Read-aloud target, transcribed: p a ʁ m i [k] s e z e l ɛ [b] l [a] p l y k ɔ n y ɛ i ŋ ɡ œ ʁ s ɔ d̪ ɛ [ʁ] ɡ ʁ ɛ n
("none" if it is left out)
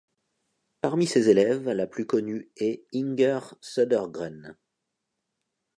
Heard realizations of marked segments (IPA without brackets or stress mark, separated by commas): none, v, a, ʁ